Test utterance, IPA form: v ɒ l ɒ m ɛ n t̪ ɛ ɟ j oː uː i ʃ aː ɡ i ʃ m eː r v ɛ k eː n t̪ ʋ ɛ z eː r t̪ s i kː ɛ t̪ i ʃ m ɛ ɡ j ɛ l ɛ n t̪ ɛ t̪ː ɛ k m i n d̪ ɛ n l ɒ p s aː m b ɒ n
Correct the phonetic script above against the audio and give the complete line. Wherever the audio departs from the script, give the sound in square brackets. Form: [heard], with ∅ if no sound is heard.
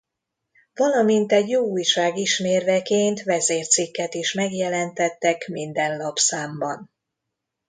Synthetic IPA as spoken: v ɒ l ɒ m [i] n t̪ ɛ ɟ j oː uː [j] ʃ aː ɡ i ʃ m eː r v ɛ k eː n t̪ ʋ ɛ z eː r t̪ s i kː ɛ t̪ i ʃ m ɛ ɡ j ɛ l ɛ n t̪ ɛ t̪ː ɛ k m i n d̪ ɛ n l ɒ p s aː m b ɒ n